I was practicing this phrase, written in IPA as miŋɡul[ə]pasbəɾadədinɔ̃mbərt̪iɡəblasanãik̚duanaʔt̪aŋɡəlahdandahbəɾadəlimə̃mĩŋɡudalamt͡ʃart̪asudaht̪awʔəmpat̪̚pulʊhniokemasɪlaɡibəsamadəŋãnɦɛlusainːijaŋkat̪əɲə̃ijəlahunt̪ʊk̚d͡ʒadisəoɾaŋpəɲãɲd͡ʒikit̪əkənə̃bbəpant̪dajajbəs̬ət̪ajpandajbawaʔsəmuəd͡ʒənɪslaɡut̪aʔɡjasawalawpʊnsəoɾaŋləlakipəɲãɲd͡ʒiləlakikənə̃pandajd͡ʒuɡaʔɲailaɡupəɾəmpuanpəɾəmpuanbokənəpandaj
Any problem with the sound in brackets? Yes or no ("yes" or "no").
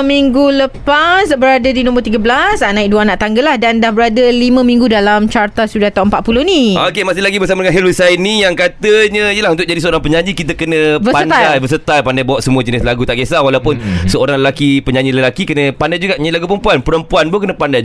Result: no